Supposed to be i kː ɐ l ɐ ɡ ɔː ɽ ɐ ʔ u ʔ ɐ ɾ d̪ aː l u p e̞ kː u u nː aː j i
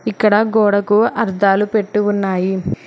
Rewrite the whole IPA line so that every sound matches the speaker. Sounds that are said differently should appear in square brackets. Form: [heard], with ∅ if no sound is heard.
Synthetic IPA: i kː ɐ [ɽ] ɐ ɡ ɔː ɽ ɐ [k] u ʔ ɐ ɾ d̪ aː l u p e̞ [ʈː] u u nː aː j i